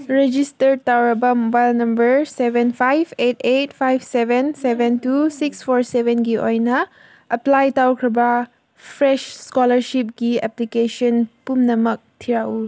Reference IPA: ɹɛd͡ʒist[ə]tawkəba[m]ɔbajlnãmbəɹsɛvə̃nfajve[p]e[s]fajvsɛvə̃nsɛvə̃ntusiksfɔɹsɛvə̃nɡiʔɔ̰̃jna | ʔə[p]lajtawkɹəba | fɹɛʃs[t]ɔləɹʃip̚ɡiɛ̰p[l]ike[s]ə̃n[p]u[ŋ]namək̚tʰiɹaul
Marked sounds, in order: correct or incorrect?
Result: correct, correct, incorrect, incorrect, correct, incorrect, correct, incorrect, correct, incorrect

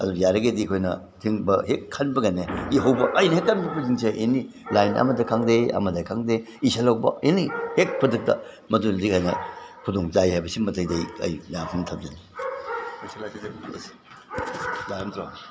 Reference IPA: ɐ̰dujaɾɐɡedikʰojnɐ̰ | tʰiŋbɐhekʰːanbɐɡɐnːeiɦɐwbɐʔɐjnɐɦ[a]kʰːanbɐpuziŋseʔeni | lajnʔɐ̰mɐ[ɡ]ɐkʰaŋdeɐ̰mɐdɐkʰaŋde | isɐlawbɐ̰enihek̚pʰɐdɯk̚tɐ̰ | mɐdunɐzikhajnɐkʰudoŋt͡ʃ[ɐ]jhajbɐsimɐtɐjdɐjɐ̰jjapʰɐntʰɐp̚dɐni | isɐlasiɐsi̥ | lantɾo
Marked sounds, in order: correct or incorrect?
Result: incorrect, incorrect, incorrect

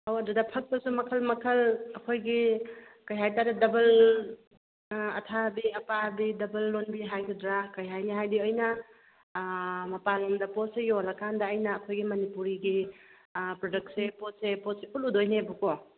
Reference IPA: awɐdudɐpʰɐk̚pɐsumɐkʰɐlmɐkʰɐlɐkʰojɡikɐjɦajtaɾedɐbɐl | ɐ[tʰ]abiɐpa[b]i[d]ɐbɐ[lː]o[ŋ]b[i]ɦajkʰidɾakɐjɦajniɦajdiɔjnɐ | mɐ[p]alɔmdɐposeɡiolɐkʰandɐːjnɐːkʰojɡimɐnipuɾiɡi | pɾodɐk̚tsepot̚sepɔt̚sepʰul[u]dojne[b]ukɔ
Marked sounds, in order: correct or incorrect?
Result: correct, correct, correct, correct, incorrect, correct, correct, correct, correct

